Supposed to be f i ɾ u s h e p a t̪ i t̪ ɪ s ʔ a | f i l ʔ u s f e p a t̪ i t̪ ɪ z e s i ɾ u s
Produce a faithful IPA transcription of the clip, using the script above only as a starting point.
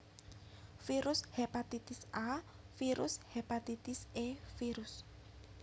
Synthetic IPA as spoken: f i ɾ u s h e p a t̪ i t̪ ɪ s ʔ a | f i ɾ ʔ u s h e p a t̪ i t̪ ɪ s e f i ɾ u s